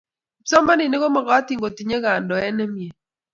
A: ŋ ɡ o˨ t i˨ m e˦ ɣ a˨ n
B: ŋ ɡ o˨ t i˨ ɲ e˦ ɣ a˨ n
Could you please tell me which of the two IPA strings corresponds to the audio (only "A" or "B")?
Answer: B